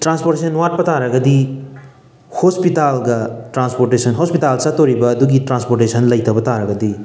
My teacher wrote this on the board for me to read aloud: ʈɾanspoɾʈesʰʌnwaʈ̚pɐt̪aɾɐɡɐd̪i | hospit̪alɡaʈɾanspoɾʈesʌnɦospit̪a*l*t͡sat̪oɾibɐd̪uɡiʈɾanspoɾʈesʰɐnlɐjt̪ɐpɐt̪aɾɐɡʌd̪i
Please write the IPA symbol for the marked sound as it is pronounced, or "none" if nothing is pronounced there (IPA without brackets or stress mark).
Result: l